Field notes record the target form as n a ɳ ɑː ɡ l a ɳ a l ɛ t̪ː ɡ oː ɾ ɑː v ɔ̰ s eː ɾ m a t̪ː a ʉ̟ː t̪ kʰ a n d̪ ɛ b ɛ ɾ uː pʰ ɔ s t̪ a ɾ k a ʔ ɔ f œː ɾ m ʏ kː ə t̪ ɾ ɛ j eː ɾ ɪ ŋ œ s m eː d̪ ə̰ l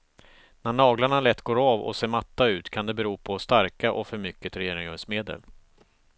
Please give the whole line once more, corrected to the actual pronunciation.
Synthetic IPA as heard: n æ ɳ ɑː ɡ l a ɳ a l ɛ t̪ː ɡ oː ɾ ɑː v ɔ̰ s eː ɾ m a t̪ː a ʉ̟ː t̪ kʰ a n d̪ ɛ b ɛ ɾ uː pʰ ɔ s t̪ a ɾ k a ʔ ɔ f œ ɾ m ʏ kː ə t̪ ɾ ɛ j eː ɾ ɪ ŋ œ s m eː d̪ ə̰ l